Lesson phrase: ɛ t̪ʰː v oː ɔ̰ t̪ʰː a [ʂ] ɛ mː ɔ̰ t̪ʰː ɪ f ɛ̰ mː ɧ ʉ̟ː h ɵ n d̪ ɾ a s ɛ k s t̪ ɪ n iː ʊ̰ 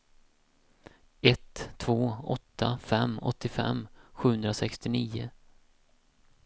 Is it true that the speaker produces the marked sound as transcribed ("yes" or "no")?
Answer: no